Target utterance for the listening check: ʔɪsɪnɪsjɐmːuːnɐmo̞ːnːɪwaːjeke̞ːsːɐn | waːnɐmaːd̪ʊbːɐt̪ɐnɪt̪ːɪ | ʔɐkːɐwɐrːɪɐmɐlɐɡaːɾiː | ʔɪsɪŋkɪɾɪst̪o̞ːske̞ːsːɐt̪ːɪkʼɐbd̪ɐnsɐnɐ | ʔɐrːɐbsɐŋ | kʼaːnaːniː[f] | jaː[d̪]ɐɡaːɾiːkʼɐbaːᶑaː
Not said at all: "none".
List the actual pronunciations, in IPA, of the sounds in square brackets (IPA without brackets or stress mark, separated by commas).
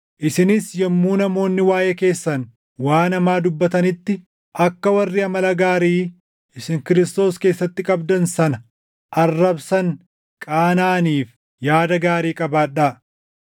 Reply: f, d̪